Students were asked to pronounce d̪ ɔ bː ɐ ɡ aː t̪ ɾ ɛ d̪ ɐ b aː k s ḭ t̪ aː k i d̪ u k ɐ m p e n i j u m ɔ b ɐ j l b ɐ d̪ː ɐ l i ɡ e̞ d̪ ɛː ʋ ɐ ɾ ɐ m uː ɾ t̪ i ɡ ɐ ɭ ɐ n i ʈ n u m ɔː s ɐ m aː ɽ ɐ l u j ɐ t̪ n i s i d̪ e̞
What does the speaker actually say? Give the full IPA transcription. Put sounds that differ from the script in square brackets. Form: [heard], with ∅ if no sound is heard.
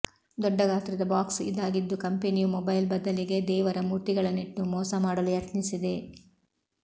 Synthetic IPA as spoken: d̪ ɔ [ɖː] ɐ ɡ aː t̪ ɾ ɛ d̪ ɐ b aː k s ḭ [d̪] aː [ɡ] i [d̪ː] u k ɐ m p e n i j u m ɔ b ɐ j l b ɐ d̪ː ɐ l i ɡ e̞ d̪ ɛː ʋ ɐ ɾ ɐ m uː ɾ t̪ i ɡ ɐ ɭ ɐ n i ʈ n u m ɔː s ɐ m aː ɽ ɐ l u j ɐ t̪ n i s i d̪ e̞